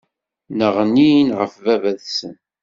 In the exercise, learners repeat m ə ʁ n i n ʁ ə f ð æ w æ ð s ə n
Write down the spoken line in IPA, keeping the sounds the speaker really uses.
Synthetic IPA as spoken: n ə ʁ n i n ʁ ə f v æ v æ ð s ə n